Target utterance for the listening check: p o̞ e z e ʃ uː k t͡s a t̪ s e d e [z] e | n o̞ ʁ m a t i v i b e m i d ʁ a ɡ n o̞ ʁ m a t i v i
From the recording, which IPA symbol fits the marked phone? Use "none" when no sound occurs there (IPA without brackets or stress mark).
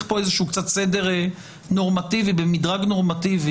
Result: ʁ